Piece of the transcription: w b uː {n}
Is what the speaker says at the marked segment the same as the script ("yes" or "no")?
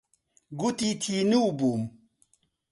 no